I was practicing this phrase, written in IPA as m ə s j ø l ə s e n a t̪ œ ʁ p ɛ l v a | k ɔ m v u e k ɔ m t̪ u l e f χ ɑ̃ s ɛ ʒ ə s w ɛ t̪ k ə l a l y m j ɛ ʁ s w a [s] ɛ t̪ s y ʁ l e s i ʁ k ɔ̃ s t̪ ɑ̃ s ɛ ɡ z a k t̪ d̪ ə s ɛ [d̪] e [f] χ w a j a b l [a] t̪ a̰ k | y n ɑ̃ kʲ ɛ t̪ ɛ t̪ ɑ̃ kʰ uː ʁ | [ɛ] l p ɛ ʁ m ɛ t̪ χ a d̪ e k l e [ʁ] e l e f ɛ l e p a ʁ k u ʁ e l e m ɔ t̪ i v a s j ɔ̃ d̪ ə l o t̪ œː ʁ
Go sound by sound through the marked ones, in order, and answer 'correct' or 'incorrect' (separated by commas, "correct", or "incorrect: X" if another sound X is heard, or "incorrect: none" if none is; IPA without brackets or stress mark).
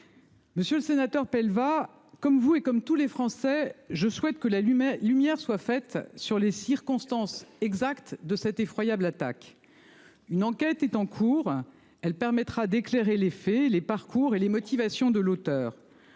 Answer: incorrect: f, incorrect: t̪, correct, correct, correct, correct